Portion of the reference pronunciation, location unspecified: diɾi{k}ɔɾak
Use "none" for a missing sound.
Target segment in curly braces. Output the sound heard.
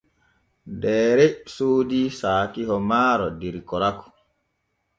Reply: k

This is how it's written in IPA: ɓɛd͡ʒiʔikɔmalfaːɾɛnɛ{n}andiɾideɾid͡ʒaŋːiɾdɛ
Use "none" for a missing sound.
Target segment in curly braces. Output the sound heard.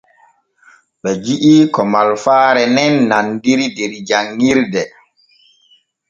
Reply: nː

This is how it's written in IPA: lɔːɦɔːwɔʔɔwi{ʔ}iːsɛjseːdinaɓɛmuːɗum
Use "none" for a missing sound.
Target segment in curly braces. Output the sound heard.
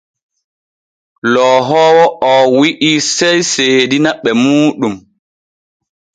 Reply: ʔ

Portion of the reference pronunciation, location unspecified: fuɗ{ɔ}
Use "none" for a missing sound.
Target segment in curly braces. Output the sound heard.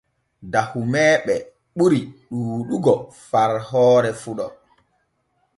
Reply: ɔ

